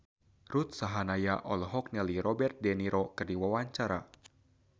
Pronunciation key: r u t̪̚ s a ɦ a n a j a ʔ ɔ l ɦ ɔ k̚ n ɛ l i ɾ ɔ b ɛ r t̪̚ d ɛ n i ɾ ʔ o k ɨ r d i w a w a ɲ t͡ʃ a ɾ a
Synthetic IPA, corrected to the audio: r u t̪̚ s a ɦ a n a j a ʔ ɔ l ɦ ɔ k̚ n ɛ l i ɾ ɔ b ɛ r t̪̚ d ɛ n i ɾ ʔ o k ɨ r d i w a w a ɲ t͡ʃ a ɾ a